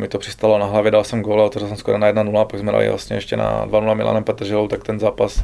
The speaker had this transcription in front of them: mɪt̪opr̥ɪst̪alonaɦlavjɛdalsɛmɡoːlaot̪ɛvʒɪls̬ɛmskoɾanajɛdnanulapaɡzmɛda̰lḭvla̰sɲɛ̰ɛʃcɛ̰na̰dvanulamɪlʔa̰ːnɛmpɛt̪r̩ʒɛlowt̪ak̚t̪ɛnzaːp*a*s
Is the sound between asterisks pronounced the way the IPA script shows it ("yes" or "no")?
yes